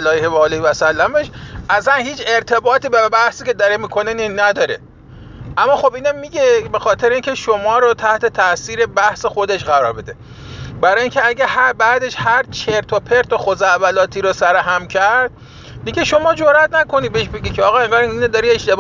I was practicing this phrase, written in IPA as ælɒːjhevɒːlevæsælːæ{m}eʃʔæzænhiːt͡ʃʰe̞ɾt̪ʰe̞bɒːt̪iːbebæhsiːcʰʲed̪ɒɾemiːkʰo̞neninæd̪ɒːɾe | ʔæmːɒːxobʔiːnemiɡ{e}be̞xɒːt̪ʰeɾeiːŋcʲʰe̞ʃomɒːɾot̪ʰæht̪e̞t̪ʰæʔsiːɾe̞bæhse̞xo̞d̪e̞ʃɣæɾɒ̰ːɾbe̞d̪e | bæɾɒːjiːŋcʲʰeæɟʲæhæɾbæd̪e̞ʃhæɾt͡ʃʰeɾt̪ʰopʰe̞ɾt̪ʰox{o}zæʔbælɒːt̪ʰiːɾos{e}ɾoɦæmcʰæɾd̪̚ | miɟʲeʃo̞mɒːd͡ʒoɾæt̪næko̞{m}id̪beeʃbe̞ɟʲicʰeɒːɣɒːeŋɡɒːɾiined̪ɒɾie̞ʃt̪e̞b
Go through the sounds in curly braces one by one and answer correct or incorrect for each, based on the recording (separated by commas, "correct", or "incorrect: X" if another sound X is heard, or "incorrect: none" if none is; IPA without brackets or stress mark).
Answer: correct, correct, correct, incorrect: æ, incorrect: n